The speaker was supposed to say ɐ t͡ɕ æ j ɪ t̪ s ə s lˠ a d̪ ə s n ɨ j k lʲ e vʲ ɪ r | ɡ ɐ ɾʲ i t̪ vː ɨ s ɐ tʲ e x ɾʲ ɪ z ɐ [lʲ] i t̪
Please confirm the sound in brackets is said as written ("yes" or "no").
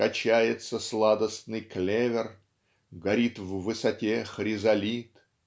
yes